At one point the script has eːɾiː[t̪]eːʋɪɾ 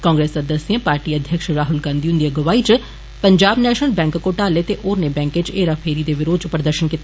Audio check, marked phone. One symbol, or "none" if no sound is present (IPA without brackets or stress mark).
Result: d̪